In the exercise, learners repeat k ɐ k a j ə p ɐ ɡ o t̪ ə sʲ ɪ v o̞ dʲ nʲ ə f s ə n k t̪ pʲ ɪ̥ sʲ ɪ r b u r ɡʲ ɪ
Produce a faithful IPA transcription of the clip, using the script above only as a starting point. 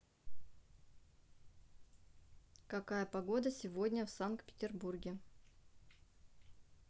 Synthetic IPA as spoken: k ɐ k a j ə p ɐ ɡ o d̪ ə sʲ ɪ v o̞ dʲ nʲ ə f s a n k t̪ pʲ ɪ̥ tʲ ɪ r b u r ɡʲ ɪ

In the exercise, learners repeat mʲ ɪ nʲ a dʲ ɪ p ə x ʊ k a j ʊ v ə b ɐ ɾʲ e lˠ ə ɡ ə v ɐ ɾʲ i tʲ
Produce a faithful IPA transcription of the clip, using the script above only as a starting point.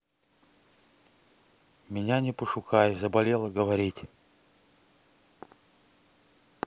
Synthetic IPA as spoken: mʲ ɪ nʲ a nʲ ɪ p ə ʂ ʊ k a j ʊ z ə b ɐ lʲ e lˠ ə ɡ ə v ɐ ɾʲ i tʲ

